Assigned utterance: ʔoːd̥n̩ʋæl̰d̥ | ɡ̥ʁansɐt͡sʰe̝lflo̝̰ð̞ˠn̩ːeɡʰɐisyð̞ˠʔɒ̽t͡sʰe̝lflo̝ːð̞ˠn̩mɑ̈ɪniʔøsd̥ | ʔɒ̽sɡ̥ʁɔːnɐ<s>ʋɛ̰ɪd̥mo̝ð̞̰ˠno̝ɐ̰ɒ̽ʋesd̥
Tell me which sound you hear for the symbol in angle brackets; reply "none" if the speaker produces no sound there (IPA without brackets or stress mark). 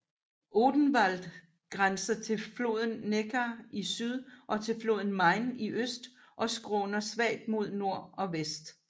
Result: s